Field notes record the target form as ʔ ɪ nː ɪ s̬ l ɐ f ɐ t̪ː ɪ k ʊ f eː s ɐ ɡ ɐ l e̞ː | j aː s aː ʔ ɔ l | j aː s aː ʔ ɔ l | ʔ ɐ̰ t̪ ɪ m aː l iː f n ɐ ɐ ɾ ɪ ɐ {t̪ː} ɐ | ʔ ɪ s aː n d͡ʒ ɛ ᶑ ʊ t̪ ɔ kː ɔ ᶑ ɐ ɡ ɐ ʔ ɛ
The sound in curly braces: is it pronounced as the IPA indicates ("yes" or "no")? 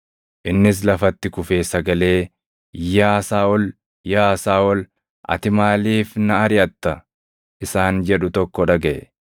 yes